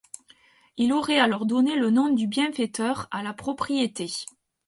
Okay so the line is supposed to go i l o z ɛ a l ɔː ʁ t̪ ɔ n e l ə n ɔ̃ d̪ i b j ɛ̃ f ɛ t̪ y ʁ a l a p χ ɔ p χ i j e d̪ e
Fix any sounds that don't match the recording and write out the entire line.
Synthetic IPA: i l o ʁ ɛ a l ɔ ʁ d̪ ɔ n e l ə n ɔ̃ d̪ y b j ɛ̃ f ɛ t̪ œ ʁ a l a p χ ɔ p χ i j e t̪ e